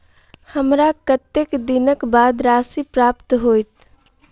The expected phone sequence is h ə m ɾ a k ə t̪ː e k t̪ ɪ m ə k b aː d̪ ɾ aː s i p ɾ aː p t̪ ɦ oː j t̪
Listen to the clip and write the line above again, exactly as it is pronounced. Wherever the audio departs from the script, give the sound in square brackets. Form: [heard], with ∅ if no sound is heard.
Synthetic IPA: h ə m ɾ a k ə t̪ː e k [d̪] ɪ [n] ə k b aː d̪ ɾ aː s i p ɾ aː p t̪ ɦ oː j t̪

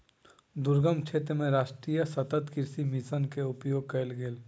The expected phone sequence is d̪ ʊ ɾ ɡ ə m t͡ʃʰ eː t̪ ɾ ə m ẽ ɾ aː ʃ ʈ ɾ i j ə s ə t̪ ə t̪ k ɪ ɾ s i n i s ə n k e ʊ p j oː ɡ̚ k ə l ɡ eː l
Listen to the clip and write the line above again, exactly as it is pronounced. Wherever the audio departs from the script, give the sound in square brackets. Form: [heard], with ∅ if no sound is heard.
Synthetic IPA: d̪ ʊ ɾ ɡ ə m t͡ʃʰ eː t̪ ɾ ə m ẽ ɾ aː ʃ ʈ ɾ i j ə s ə t̪ ə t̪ k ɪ ɾ s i [m] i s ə n k e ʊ p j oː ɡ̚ k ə l ɡ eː l

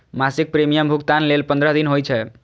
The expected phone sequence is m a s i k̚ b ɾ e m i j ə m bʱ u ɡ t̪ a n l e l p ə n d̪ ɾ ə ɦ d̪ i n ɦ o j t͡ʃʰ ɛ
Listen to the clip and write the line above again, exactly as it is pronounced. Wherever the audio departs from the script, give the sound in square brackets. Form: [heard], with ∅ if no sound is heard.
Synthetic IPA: m a s i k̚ [p] ɾ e m i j ə m bʱ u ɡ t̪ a n l e l p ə n d̪ ɾ ə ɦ d̪ i n ɦ o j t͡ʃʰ ɛ

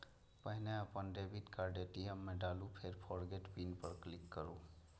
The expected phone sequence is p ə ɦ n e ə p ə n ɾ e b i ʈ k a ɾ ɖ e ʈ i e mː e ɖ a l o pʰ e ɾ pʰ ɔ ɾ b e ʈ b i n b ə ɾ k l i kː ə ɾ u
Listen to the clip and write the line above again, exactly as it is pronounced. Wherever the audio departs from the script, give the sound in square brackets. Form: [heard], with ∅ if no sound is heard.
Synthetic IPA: p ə ɦ n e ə p ə n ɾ e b i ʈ k a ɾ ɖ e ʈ i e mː e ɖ a l [u] pʰ e ɾ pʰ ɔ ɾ [ɡ] e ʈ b i n [p] ə ɾ k l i kː ə ɾ u

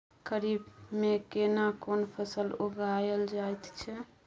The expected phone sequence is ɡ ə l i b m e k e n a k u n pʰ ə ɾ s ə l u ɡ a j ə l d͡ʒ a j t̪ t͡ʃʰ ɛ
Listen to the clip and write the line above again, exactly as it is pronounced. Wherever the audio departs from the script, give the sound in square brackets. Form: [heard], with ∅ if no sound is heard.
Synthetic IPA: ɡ ə [ɾ] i b m e k e n a k [o] n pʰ ə [∅] s ə l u ɡ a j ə l d͡ʒ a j t̪ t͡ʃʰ ɛ

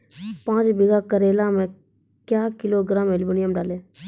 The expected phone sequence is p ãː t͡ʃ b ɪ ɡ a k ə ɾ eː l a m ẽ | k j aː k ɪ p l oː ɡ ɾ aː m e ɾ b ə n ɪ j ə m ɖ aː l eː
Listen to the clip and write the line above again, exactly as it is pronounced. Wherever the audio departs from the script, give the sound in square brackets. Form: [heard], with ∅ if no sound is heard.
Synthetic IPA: p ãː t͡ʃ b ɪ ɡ a k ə ɾ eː l a m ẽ | k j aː k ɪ [∅] l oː ɡ ɾ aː m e [l] b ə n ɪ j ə m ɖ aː l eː

